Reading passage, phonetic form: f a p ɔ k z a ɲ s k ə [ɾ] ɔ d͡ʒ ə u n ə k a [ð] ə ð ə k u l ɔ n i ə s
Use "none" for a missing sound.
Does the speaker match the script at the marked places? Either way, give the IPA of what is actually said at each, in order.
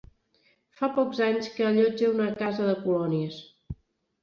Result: ʎ, z

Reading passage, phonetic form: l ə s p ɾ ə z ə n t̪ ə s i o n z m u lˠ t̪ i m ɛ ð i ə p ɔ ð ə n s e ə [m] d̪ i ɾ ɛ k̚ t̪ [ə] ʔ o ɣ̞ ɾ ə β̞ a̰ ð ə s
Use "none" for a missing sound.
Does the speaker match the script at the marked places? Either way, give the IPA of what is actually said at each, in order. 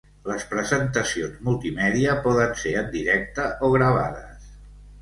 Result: n, ə

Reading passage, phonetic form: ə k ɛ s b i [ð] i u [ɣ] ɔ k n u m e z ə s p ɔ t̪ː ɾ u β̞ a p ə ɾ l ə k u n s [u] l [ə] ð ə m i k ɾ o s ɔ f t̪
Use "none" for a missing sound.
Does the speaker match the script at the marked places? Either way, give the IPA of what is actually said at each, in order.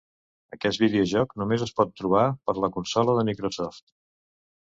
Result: ð, ʒ, ɔ, ə

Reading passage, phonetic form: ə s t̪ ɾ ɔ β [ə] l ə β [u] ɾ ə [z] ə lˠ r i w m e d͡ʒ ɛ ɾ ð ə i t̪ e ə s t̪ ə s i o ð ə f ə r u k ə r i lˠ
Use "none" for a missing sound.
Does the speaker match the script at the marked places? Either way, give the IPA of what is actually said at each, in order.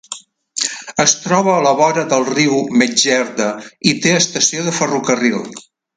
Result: əː, ɔ, ð

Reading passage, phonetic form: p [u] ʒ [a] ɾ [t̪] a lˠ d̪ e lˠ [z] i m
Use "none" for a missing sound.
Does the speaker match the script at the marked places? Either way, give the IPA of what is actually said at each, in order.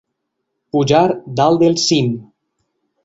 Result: u, a, d̪, s

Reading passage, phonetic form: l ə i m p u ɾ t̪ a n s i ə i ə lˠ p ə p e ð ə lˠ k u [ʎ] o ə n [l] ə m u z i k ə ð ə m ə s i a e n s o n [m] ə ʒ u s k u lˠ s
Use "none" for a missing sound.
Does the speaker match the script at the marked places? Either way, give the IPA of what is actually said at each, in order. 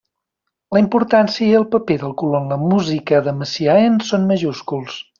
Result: l, l, m

